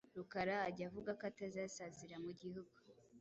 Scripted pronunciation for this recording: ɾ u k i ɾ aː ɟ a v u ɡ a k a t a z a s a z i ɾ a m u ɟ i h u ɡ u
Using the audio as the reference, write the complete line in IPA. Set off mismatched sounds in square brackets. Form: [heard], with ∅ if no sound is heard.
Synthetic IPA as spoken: ɾ u k [a] ɾ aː ɟ a v u ɡ a k a t a z a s a z i ɾ a m u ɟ i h u ɡ u